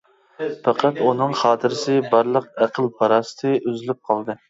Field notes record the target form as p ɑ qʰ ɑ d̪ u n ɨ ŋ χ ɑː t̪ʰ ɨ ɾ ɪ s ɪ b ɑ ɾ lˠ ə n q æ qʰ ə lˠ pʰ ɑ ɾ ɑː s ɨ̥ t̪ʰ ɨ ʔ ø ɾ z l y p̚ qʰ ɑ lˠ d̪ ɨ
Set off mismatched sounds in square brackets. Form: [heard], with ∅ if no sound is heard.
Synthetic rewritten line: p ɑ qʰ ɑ [t̪] u n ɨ ŋ χ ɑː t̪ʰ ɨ ɾ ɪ s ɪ b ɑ ɾ lˠ ə [∅] q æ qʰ ə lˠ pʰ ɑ ɾ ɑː s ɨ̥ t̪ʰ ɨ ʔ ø [∅] z l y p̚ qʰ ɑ lˠ d̪ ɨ